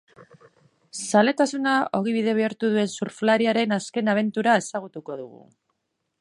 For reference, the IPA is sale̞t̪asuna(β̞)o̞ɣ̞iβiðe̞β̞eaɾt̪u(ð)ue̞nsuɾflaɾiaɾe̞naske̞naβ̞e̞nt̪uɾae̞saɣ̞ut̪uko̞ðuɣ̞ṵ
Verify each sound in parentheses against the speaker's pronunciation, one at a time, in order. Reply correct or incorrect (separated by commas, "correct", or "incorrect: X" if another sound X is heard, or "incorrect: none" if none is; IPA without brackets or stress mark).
incorrect: none, correct